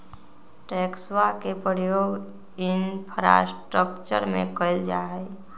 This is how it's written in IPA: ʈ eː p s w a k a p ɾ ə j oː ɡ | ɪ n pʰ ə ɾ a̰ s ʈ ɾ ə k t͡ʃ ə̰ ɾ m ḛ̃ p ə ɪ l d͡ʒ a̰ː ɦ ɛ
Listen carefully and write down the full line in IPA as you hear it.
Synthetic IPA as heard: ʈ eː k s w a k e p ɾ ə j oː ɡ | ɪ n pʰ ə ɾ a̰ s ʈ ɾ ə k t͡ʃ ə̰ ɾ m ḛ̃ k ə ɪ l d͡ʒ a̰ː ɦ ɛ